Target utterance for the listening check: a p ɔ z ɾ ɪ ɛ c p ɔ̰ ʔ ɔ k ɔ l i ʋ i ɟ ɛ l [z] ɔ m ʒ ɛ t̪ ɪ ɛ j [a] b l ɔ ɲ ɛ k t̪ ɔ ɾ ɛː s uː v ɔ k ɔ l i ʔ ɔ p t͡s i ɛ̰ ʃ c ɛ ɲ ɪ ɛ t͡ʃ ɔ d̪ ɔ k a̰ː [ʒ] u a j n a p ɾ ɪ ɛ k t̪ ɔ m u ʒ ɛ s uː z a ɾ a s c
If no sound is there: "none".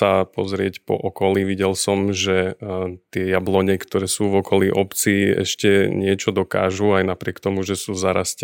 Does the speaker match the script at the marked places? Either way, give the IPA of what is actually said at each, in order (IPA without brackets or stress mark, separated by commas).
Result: s, a, ʒ